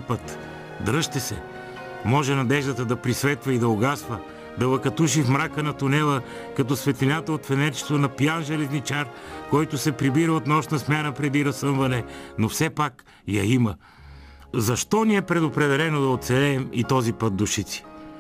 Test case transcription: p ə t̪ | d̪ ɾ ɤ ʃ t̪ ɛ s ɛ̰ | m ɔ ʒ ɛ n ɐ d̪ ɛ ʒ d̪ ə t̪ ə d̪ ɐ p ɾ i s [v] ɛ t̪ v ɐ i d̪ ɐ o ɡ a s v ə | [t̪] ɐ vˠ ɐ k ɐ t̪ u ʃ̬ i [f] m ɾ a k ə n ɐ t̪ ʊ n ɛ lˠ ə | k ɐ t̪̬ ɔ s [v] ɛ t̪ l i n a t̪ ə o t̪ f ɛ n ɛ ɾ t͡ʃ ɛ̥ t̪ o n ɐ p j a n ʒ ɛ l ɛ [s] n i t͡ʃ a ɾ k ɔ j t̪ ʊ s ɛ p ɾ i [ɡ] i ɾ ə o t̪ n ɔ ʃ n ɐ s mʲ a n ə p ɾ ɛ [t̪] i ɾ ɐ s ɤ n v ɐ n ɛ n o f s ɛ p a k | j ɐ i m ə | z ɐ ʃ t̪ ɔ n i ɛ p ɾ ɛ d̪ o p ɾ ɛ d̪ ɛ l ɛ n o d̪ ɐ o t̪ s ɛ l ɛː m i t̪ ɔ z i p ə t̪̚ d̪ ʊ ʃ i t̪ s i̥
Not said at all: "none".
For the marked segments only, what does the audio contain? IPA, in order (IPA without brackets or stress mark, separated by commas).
v, d̪, f, v, z, b, d̪